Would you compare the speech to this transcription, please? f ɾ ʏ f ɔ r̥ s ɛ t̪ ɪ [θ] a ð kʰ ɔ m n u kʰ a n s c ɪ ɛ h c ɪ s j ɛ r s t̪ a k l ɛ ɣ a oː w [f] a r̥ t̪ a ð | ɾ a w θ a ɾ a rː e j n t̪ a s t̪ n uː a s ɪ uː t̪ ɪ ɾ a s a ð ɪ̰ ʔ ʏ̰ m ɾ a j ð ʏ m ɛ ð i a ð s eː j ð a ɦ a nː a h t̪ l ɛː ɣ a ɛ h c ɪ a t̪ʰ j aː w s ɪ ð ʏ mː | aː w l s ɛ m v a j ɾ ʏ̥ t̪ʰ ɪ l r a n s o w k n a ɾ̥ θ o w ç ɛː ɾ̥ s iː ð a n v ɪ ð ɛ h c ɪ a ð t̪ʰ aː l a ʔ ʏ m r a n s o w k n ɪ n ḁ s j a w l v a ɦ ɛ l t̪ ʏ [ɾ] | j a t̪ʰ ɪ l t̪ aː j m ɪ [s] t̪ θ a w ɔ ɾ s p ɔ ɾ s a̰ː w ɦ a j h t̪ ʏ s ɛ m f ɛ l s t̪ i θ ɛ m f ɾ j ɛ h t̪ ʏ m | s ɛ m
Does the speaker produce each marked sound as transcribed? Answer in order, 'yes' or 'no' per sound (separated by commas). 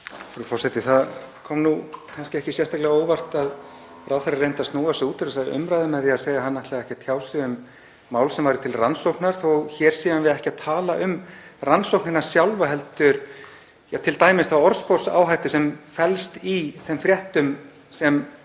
yes, no, yes, yes